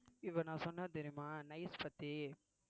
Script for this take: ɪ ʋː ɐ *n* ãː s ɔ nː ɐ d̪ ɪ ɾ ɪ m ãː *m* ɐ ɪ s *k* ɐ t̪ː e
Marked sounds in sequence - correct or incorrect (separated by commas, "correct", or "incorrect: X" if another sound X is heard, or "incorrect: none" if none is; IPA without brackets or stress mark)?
correct, incorrect: n, incorrect: p